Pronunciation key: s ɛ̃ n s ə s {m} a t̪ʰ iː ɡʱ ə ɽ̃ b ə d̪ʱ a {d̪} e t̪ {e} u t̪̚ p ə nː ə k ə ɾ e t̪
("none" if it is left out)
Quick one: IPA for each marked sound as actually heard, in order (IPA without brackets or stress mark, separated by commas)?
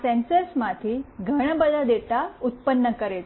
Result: m, d̪, a